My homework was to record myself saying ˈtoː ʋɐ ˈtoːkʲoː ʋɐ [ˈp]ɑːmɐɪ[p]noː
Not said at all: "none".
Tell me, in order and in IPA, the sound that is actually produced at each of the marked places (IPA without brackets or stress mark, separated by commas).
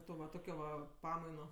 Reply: p, none